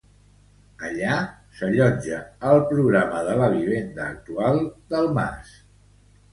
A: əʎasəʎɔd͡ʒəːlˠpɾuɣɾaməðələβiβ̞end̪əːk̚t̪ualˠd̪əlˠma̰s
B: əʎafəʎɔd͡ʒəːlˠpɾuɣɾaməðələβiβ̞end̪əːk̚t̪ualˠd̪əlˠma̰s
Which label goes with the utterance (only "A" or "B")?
A